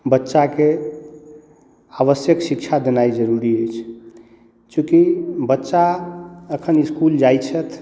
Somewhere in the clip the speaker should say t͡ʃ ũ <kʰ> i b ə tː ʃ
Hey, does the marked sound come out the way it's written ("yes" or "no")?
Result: no